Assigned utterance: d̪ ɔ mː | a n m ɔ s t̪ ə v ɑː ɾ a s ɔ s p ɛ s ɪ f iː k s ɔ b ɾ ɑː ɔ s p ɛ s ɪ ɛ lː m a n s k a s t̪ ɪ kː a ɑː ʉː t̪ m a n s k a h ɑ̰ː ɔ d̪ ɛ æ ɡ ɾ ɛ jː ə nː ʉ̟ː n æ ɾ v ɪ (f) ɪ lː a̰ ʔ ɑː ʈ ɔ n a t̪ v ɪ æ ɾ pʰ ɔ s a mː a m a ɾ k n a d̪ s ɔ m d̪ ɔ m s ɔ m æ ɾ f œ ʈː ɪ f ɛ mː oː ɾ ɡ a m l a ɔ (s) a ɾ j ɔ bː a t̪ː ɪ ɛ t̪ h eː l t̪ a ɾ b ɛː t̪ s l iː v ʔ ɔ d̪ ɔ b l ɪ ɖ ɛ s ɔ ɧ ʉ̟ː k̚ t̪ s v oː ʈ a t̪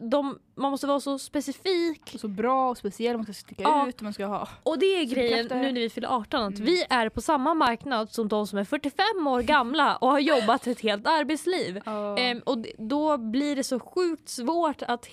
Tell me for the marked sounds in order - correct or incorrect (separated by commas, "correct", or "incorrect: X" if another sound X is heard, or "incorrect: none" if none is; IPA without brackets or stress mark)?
correct, incorrect: h